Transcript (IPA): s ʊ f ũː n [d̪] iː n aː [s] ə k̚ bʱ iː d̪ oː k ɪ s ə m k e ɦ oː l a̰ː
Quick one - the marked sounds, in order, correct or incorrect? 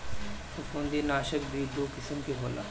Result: correct, incorrect: ʃ

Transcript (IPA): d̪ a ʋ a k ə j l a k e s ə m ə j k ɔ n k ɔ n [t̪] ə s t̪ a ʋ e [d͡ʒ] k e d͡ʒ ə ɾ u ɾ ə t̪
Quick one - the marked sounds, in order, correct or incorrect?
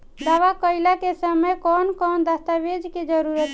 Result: incorrect: d̪, correct

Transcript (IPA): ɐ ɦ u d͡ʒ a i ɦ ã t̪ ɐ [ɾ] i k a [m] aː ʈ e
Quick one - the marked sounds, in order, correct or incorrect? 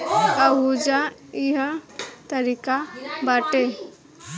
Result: correct, incorrect: b

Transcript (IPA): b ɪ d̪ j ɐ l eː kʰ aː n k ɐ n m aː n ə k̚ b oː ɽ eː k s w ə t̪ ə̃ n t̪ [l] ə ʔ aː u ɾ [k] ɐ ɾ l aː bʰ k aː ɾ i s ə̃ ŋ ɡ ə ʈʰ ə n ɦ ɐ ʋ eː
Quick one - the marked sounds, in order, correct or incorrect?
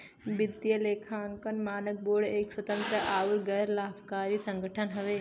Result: incorrect: ɾ, incorrect: ɡ

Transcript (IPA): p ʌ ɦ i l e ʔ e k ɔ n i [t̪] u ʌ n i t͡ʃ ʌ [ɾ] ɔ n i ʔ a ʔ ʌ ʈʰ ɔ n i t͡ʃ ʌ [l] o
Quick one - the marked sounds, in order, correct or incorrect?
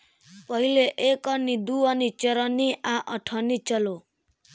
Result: incorrect: d̪, correct, correct

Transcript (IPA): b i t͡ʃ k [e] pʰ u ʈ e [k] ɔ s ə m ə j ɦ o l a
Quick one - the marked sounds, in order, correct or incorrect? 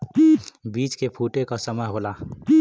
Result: correct, correct

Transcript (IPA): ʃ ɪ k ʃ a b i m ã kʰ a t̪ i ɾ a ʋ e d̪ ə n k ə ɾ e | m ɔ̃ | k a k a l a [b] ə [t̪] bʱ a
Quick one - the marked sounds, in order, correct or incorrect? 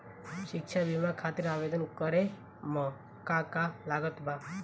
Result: incorrect: ɡ, correct

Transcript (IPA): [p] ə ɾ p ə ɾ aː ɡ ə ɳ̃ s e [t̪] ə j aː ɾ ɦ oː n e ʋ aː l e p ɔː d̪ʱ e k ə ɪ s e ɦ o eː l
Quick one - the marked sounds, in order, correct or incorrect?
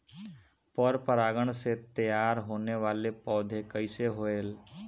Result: correct, correct

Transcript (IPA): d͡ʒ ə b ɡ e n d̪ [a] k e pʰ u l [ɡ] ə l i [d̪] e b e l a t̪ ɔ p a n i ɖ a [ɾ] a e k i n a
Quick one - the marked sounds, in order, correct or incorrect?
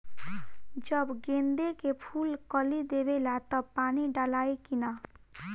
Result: incorrect: e, incorrect: k, correct, incorrect: l

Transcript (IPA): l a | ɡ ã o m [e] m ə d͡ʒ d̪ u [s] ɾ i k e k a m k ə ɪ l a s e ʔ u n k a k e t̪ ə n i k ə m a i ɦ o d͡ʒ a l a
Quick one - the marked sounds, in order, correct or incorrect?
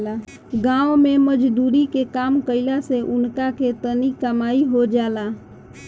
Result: correct, incorrect: none

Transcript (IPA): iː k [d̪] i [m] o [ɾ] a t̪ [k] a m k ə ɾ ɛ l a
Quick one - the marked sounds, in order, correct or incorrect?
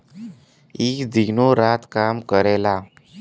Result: correct, incorrect: n, correct, correct

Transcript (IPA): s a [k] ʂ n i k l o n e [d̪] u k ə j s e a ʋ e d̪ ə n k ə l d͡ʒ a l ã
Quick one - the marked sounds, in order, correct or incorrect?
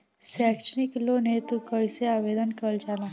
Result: correct, incorrect: t̪

